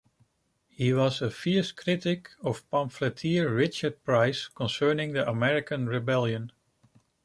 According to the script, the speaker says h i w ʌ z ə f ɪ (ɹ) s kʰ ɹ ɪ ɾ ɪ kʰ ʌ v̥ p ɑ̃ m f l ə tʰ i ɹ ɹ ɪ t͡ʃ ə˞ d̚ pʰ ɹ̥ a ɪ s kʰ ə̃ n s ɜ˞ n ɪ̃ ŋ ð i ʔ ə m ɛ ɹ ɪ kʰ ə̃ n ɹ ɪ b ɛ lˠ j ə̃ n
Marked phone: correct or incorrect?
correct